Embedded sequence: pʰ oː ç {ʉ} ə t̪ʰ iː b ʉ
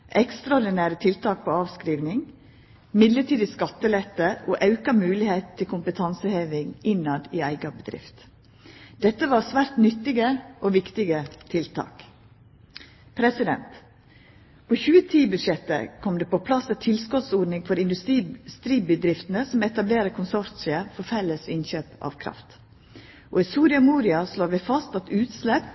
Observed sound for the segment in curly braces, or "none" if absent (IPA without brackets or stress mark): ʉː